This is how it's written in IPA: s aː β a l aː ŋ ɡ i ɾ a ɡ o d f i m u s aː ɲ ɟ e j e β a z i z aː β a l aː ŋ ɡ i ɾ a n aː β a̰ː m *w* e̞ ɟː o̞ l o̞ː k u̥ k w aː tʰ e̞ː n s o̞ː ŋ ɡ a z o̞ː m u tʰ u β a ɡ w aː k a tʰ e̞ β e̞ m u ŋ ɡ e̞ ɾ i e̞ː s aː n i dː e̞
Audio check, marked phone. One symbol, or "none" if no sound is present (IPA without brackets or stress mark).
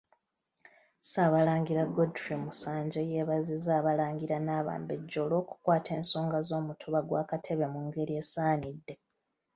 b